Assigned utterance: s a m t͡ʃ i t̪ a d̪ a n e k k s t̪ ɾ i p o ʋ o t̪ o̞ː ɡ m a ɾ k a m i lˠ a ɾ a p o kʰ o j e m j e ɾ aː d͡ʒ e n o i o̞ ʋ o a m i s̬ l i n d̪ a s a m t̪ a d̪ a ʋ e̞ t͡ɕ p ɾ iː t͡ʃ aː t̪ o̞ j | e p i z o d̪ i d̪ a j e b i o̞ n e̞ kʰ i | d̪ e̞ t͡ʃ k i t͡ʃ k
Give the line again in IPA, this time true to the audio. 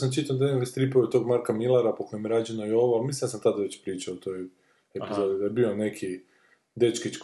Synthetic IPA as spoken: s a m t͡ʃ i t̪ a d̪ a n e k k s t̪ ɾ i p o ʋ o t̪ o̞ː ɡ m a ɾ k a m i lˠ a ɾ a p o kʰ o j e m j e ɾ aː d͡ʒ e n o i o̞ ʋ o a m i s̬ l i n d̪ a s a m t̪ a d̪ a ʋ e̞ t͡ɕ p ɾ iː t͡ʃ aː t̪ o̞ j | e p i z o d̪ i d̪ a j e b i o̞ n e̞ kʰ i | d̪ e̞ t͡ʃ k i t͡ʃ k